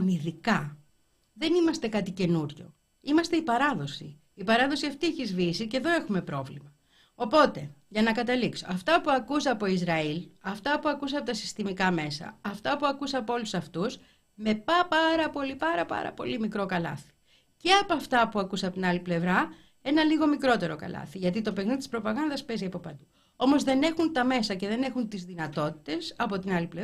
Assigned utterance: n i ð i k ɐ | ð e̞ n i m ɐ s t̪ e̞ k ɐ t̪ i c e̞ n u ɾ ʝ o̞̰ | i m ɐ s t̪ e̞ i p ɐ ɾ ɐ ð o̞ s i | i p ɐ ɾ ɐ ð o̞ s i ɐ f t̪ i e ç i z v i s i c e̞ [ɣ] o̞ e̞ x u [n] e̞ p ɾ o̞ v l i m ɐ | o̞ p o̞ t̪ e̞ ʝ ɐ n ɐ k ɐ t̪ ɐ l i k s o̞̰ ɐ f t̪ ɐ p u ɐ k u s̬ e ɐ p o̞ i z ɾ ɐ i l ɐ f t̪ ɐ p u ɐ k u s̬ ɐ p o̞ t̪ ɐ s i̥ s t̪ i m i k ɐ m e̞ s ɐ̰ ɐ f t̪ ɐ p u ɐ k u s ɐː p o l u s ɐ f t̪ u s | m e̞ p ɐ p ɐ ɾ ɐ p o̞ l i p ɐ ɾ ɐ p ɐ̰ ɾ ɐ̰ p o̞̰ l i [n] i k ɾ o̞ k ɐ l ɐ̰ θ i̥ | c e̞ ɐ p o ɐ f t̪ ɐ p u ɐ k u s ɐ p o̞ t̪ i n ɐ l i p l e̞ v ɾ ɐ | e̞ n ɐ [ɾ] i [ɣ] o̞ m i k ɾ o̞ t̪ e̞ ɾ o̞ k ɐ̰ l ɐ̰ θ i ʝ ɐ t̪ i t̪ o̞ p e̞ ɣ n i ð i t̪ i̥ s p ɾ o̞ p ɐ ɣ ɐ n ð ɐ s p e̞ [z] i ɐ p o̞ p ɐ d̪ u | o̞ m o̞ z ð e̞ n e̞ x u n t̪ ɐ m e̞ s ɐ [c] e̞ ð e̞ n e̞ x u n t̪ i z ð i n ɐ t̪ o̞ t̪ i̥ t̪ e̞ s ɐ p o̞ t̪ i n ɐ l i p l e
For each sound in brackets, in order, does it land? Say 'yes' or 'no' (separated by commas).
no, no, no, no, yes, yes, yes